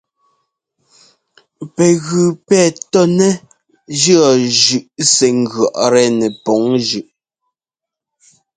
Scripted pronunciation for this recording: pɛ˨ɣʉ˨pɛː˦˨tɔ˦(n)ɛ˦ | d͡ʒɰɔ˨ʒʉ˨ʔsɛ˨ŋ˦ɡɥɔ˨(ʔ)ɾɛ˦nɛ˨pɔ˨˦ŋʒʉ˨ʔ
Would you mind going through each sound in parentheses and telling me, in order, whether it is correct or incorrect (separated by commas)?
correct, correct